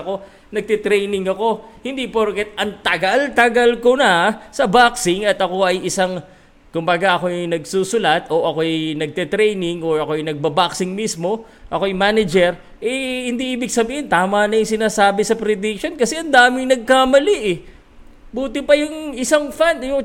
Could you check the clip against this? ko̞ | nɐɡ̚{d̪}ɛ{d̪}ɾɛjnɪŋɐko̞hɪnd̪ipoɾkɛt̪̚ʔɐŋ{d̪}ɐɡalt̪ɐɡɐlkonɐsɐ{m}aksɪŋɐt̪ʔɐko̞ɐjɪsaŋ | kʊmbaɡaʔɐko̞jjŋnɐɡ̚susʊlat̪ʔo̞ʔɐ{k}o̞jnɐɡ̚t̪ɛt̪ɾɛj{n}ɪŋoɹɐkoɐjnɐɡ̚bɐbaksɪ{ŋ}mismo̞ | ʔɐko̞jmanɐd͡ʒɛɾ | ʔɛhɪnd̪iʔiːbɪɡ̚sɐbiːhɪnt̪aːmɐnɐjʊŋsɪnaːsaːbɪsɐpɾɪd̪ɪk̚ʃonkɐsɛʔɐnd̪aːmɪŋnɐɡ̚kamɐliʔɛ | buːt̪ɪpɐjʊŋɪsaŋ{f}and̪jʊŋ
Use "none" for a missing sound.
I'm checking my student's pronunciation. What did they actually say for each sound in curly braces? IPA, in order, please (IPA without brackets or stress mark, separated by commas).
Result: t̪, t̪, t̪, b, k, n, ŋ, f